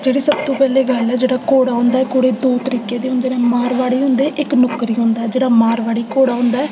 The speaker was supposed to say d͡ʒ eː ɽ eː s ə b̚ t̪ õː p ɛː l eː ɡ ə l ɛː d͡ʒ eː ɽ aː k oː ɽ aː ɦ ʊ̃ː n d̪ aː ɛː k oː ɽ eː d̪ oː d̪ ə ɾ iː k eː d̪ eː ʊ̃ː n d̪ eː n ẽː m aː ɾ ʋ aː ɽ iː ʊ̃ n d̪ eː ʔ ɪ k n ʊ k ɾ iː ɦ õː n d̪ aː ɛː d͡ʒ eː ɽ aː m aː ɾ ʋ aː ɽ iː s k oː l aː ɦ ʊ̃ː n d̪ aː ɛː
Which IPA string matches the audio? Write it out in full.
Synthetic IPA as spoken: d͡ʒ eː ɽ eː s ə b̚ t̪ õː p ɛː l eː ɡ ə l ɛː d͡ʒ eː ɽ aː k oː ɽ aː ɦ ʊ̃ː n d̪ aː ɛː k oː ɽ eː d̪ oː t̪ ə ɾ iː k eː d̪ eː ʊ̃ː n d̪ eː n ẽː m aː ɾ ʋ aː ɽ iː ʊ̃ n d̪ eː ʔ ɪ k n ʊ k ɾ iː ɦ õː n d̪ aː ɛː d͡ʒ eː ɽ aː m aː ɾ ʋ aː ɽ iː k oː ɽ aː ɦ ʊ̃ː n d̪ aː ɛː